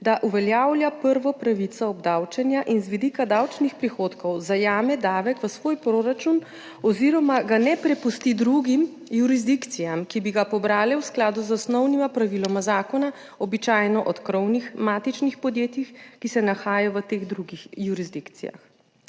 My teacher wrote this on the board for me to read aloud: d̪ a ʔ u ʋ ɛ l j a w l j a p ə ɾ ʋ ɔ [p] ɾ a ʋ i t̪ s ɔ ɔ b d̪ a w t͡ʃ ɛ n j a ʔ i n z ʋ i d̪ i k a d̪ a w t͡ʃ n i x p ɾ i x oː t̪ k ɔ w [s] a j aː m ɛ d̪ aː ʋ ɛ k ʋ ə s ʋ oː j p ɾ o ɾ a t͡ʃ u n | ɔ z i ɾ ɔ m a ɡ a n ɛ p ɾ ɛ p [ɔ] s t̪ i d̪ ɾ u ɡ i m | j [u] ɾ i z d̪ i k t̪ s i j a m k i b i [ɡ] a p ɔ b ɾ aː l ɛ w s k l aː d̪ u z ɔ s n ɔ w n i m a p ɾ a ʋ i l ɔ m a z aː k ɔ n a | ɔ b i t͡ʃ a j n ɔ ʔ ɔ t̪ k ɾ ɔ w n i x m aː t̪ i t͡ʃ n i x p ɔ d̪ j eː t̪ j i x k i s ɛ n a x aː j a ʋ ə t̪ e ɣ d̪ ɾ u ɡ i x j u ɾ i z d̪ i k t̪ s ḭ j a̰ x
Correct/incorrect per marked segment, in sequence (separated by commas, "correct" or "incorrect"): correct, incorrect, incorrect, correct, correct